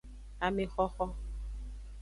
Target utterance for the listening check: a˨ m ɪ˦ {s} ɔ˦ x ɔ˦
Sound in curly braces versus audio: incorrect: x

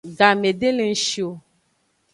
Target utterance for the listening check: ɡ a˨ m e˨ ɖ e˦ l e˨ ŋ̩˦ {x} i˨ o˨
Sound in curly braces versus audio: incorrect: ʃ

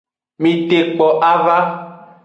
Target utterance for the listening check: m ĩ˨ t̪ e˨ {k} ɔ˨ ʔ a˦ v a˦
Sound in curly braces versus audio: incorrect: k͡p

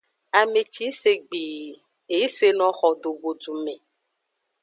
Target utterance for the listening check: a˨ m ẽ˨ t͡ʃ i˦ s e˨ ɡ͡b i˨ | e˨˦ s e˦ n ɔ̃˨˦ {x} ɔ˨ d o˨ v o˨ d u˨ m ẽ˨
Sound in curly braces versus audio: correct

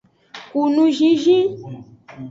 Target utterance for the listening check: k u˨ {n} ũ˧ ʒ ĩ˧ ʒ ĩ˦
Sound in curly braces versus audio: correct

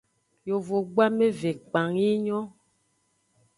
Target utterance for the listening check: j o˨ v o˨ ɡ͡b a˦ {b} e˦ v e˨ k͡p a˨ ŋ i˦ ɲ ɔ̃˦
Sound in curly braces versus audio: incorrect: m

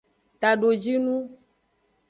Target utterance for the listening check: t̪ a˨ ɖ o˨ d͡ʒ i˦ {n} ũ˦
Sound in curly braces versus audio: correct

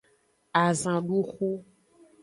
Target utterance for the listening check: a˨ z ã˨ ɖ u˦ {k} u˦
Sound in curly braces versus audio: incorrect: x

